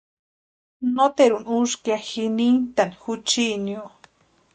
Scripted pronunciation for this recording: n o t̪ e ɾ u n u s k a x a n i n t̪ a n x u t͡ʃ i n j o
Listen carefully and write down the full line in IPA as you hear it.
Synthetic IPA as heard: n o t̪ e ɾ u n u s k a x i n i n t̪ a n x u t͡ʃ i n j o